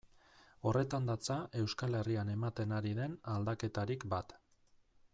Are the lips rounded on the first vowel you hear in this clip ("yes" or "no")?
yes